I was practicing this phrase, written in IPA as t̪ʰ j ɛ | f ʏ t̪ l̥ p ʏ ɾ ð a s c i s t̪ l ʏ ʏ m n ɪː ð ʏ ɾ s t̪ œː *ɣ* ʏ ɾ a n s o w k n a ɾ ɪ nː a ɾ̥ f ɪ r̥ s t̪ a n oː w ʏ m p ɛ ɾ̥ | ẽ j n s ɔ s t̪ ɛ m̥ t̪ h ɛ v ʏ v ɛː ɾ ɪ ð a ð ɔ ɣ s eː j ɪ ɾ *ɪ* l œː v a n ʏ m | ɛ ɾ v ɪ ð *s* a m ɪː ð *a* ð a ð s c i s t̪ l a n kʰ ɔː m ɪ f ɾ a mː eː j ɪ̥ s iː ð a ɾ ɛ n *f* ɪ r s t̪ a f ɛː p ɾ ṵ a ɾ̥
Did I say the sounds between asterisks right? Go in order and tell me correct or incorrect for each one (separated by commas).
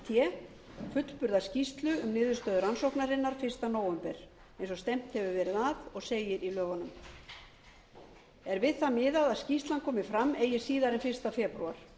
incorrect, incorrect, incorrect, correct, correct